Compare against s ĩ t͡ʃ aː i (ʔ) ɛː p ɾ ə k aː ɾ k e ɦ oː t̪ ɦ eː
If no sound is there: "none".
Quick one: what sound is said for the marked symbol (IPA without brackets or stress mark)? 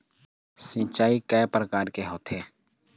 k